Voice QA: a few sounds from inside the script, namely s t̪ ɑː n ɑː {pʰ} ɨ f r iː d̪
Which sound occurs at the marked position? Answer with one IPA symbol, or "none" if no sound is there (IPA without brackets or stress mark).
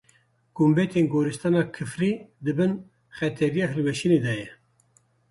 kʰ